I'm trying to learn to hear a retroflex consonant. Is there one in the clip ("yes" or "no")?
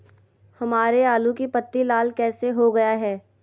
no